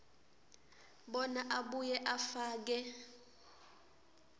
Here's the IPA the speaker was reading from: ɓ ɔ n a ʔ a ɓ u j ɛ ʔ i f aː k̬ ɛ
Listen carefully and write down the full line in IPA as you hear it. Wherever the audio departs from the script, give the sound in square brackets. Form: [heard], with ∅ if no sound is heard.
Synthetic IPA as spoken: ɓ ɔ n a ʔ a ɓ u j ɛ ʔ [a] f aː k̬ ɛ